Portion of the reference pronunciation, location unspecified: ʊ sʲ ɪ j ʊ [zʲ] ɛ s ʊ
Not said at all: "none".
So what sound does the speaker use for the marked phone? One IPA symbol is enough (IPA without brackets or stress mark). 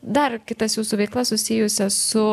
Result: sʲ